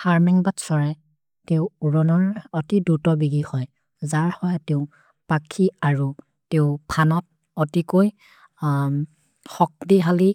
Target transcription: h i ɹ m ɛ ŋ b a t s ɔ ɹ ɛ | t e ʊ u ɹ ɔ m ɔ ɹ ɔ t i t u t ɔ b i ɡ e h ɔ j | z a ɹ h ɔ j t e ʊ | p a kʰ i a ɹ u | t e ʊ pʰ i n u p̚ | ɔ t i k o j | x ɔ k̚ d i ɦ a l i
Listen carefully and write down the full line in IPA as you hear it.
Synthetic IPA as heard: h a ɹ m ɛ ŋ b a t s ɔ ɹ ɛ | t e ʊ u ɹ ɔ n ɔ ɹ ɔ t i d u t ɔ b i ɡ i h ɔ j | z a ɹ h ɔ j t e ʊ | p a kʰ i a ɹ u | t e ʊ pʰ a n ɔ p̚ | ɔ t i k o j | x ɔ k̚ d i ɦ a l i